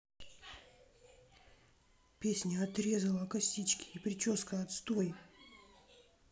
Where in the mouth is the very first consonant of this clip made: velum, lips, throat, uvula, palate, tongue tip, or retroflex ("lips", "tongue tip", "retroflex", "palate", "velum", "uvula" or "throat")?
lips